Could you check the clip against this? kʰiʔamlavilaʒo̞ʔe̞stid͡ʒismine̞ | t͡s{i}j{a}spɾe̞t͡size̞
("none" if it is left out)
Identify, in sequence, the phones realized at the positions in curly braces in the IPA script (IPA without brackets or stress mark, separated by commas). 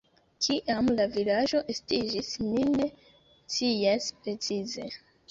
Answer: i, a